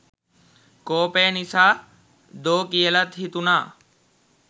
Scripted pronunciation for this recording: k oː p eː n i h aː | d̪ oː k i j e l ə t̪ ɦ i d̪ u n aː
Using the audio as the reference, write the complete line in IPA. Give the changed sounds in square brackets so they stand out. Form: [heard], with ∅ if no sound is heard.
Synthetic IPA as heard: k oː p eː n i [s] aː | d̪ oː k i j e l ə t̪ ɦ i [t̪] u n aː